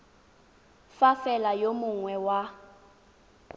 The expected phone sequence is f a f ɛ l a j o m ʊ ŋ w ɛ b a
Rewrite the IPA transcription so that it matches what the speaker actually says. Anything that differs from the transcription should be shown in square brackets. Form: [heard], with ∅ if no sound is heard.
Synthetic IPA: f a f ɛ l a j o m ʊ ŋ w ɛ [w] a